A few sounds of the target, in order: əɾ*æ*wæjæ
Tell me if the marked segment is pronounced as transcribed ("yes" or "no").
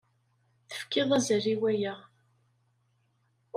no